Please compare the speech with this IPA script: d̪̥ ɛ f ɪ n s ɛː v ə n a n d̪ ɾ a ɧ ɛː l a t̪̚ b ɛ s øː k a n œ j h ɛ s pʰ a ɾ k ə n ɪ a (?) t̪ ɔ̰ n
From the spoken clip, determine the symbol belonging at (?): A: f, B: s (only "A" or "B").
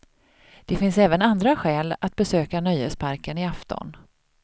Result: A